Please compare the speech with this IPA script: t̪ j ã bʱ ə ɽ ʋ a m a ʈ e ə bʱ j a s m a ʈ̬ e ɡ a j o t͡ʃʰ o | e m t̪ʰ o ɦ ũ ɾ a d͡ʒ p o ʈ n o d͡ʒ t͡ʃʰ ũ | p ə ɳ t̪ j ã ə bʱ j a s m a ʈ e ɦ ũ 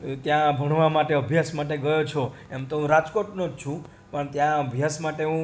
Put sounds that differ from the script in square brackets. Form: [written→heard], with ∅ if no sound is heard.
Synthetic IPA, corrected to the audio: t̪ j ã bʱ ə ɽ ʋ a m a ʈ e ə bʱ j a s m a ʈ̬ e ɡ [a→ə] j o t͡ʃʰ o | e m [t̪ʰ→t̪] o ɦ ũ ɾ a d͡ʒ [p→k] o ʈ n o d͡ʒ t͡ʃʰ ũ | p ə ɳ t̪ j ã ə bʱ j a s m a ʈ e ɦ ũ